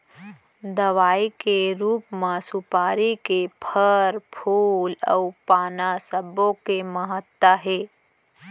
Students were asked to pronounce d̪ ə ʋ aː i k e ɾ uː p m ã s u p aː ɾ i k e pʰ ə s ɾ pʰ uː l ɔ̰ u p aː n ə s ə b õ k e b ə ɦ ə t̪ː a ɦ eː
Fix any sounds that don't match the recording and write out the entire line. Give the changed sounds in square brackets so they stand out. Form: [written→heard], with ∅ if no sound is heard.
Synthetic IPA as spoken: d̪ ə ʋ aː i k e ɾ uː p m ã s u p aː ɾ i k e pʰ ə [s→∅] ɾ pʰ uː l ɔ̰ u p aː n [ə→a] s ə b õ k e [b→m] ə ɦ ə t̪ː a ɦ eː